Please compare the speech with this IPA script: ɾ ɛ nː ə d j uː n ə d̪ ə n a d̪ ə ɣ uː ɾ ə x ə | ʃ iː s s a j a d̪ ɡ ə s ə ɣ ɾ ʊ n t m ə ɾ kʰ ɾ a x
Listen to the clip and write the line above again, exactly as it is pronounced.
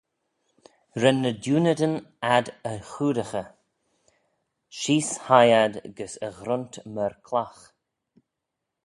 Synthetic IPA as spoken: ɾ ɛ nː ə d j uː n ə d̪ ə n a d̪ ə x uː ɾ ə x ə | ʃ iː s h a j a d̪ ɡ ə s ə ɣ ɾ ʊ n t m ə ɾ kʰ l a x